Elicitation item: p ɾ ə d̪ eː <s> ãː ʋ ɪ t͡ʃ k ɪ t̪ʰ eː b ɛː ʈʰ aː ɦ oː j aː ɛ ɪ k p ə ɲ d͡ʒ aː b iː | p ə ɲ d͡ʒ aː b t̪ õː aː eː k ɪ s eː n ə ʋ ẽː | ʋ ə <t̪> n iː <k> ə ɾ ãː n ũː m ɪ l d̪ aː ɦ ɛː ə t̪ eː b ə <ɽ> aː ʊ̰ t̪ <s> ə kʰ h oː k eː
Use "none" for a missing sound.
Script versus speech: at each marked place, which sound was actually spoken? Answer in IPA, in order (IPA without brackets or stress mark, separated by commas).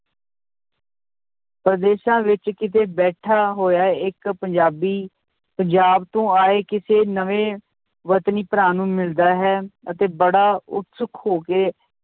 ʃ, t̪, p, ɽ, s